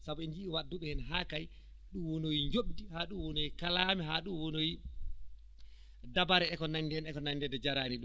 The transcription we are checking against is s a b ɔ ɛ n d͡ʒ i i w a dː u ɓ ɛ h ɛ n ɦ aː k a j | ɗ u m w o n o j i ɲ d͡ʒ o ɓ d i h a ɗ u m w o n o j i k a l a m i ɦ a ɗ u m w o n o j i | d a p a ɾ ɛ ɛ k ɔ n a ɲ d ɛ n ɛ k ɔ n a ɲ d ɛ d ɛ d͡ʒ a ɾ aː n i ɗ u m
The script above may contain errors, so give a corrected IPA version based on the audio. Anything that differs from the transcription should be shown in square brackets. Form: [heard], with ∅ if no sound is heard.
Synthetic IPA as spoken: s a b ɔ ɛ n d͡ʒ i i w a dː u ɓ ɛ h ɛ n ɦ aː k a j | ɗ u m w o n o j i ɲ d͡ʒ o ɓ d i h a ɗ u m w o n o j i k a l a m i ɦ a ɗ u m w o n o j i | d a [b] a ɾ ɛ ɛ k ɔ n a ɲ d ɛ n ɛ k ɔ n a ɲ d ɛ d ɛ d͡ʒ a ɾ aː n i ɗ u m